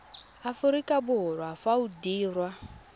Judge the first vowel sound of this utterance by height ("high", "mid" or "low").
low